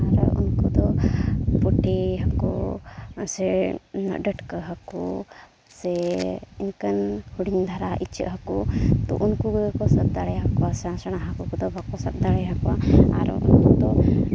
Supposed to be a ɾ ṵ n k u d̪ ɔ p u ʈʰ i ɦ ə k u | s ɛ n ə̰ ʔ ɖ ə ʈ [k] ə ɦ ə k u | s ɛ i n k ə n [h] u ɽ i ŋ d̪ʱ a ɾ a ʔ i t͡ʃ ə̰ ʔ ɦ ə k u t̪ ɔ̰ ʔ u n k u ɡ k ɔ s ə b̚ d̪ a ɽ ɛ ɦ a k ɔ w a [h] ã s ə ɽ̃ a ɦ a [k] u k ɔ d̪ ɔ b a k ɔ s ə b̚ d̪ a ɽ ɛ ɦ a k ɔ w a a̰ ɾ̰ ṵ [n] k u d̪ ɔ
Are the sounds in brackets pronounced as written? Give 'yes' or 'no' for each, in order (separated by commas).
yes, yes, no, yes, yes